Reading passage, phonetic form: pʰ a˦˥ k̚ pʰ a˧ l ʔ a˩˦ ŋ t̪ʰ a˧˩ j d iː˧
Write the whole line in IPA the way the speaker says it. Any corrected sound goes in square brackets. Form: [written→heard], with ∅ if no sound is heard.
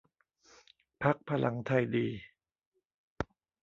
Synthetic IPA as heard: pʰ a˦˥ k̚ pʰ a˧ l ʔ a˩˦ ŋ t̪ʰ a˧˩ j d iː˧